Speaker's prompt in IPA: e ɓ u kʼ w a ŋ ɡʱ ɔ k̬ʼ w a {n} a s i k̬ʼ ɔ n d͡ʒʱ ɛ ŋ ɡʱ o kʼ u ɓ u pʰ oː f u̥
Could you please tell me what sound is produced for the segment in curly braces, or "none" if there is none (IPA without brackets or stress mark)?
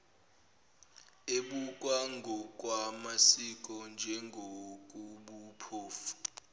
m